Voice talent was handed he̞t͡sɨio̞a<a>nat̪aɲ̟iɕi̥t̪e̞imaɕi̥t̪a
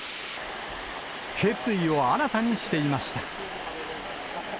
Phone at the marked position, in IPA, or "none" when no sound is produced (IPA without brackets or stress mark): a